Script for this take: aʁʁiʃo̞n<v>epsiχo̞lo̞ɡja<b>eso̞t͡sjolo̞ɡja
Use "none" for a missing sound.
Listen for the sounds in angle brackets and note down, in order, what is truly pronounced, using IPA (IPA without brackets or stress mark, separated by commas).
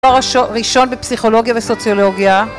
b, v